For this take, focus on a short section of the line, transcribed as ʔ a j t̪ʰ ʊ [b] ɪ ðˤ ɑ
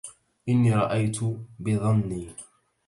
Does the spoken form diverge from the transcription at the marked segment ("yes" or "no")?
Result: no